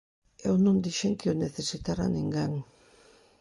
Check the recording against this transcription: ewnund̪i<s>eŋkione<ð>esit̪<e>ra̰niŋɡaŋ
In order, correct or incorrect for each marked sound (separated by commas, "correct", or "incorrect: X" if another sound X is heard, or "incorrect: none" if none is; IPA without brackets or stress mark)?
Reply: incorrect: ʃ, incorrect: θ, incorrect: a